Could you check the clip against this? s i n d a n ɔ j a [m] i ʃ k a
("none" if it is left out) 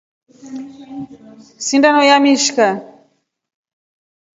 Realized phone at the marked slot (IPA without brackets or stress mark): m